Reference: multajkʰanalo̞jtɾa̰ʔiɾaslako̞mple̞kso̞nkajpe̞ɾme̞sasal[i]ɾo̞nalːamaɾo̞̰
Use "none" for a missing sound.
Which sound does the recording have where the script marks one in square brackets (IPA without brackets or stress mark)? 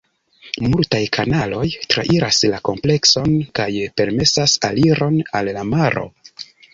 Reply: i